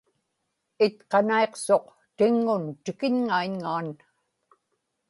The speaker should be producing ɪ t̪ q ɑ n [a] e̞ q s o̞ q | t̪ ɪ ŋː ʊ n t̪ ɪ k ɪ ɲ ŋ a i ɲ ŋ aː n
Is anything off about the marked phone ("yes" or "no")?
no